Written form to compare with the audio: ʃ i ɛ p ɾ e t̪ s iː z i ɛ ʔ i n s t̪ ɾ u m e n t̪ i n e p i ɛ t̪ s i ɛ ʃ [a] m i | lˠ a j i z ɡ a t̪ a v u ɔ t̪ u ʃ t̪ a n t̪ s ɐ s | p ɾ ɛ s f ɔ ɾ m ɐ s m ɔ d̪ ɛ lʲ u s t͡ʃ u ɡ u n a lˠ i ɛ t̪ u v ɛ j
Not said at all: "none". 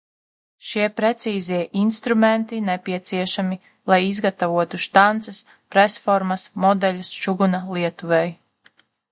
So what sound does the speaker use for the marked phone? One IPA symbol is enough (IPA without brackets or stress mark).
a